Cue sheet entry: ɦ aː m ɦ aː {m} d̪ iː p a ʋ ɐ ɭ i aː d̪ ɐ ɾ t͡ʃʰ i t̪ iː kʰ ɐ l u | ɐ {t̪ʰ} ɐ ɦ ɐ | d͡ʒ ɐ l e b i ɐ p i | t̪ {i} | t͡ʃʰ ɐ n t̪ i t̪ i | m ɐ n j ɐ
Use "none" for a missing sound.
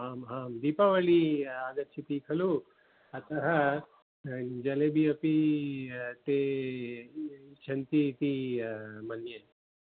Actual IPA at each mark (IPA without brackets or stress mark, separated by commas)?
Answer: m, t̪, e